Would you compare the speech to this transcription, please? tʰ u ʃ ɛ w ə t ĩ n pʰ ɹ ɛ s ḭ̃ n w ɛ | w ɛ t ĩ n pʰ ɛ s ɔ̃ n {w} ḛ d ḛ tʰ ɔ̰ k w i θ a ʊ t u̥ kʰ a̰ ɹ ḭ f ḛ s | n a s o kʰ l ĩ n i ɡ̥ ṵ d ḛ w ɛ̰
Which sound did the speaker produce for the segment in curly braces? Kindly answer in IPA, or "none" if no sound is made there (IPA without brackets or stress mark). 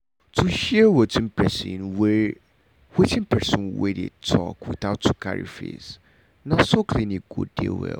w